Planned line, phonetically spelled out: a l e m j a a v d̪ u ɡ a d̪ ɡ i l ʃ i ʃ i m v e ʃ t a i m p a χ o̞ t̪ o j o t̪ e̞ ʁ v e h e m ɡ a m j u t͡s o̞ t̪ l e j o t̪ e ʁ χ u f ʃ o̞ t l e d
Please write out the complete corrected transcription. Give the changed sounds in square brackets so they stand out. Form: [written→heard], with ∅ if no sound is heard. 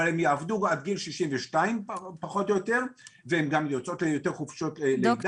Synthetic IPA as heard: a l e m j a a v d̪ u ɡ a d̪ ɡ i l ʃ i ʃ i m v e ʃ t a i m p a χ o̞ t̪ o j o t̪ e̞ ʁ v e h e m ɡ a m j [u→o] t͡s o̞ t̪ l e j o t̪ e ʁ χ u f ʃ o̞ t l e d